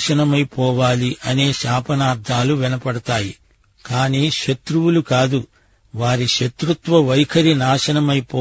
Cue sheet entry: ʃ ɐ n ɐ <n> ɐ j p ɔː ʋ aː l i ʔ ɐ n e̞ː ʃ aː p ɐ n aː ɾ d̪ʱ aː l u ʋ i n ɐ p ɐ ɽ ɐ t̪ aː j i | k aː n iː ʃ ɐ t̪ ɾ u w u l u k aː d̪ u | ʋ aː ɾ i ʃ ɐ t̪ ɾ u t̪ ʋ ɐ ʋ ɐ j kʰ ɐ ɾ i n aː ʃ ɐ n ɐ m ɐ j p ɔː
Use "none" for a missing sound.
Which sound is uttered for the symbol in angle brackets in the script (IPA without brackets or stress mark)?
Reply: m